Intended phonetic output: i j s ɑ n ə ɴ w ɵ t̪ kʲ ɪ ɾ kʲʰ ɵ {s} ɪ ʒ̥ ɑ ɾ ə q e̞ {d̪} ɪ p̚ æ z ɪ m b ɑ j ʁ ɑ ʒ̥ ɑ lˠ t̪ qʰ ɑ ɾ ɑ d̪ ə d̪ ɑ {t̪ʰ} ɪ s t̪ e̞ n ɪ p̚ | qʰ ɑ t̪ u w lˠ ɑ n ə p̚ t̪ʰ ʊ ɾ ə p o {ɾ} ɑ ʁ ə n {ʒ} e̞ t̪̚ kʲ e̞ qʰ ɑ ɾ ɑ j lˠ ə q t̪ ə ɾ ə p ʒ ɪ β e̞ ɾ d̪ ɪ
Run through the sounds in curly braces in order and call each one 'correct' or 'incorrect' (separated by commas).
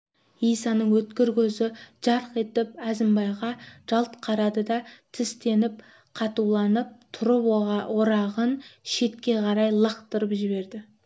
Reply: incorrect, incorrect, correct, correct, incorrect